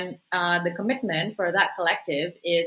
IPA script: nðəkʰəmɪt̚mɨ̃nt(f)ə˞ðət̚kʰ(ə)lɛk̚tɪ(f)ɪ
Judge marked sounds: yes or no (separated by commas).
yes, yes, no